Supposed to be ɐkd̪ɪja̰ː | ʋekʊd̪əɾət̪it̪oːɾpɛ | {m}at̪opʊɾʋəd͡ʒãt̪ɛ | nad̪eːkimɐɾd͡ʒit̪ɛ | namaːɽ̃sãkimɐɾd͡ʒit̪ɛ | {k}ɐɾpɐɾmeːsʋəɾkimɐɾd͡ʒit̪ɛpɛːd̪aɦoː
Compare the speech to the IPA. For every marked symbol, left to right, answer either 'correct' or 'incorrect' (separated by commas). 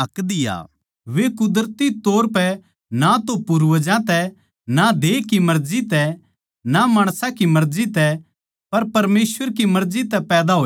incorrect, incorrect